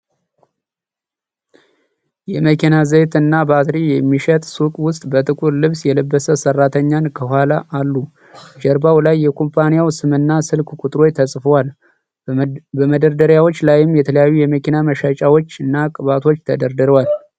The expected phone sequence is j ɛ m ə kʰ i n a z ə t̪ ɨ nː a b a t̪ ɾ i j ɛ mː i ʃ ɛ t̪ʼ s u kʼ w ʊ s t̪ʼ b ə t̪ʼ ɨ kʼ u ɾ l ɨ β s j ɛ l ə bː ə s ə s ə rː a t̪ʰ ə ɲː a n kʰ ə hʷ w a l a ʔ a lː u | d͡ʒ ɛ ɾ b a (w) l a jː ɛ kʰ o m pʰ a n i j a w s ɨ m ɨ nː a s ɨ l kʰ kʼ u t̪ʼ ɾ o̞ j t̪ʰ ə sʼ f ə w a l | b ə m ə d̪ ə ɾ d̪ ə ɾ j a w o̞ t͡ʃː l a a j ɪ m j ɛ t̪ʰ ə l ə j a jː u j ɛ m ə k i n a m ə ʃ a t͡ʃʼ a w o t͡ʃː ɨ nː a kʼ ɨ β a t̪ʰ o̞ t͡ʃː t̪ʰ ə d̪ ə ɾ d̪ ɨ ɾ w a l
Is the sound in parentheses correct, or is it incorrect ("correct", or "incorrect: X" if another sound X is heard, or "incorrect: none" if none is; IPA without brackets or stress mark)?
correct